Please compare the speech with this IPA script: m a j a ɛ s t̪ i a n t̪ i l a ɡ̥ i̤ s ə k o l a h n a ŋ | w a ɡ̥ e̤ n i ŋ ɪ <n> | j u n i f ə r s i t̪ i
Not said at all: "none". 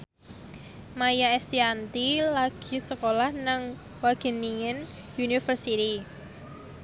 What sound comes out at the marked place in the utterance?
n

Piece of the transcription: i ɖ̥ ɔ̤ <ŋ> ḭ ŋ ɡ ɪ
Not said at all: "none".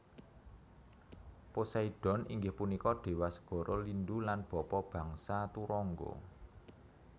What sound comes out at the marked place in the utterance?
n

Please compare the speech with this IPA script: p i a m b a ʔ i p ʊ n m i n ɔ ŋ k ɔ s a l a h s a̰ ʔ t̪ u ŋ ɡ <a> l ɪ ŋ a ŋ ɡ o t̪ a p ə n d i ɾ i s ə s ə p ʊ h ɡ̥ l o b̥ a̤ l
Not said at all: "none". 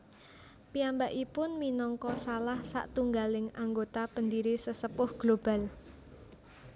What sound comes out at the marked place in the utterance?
a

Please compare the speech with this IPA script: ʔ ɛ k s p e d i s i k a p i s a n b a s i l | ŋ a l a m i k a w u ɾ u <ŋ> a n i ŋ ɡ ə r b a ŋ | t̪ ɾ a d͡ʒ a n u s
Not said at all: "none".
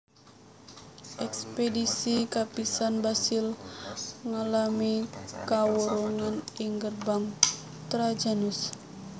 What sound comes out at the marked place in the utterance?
ŋ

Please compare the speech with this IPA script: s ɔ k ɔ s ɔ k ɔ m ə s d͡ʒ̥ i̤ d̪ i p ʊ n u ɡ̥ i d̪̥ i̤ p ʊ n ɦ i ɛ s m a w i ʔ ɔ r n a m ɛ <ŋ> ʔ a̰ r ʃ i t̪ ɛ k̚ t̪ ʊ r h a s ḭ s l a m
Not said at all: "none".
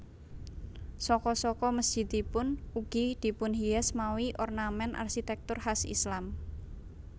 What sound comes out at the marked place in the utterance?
n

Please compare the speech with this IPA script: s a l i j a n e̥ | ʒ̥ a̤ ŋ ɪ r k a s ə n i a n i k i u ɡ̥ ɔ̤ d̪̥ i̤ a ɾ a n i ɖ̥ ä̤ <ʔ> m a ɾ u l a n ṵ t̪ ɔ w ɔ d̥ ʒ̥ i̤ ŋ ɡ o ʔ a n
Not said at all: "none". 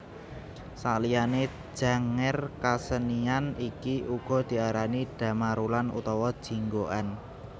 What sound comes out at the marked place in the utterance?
none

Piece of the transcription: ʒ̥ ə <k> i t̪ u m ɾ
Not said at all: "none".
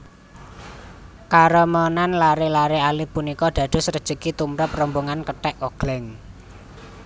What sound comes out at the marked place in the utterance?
k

